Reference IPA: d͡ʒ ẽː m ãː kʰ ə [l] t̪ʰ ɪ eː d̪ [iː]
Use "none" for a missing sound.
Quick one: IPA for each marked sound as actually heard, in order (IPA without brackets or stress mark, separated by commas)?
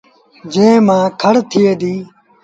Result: ɽ, iː